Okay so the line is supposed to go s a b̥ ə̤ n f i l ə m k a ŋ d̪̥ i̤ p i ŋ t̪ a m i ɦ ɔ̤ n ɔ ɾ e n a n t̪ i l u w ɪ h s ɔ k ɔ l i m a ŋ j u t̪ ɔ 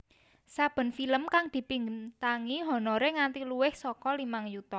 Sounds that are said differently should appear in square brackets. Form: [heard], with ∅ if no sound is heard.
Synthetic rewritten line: s a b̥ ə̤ n f i l ə m k a ŋ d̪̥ i̤ p i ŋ t̪ a [ŋ] i ɦ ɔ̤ n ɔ ɾ e [ŋ] a n t̪ i l u w ɪ h s ɔ k ɔ l i m a ŋ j u t̪ ɔ